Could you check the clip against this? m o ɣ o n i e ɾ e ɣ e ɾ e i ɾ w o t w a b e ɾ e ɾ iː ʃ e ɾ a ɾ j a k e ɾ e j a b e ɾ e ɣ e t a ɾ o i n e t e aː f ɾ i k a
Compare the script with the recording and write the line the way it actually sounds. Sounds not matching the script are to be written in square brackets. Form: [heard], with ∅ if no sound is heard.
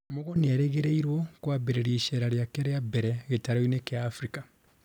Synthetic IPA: m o ɣ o n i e ɾ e ɣ e ɾ e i ɾ w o [k] w a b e ɾ e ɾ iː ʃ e ɾ a ɾ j a k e ɾ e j a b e ɾ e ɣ e t a ɾ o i n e [k] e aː f ɾ i k a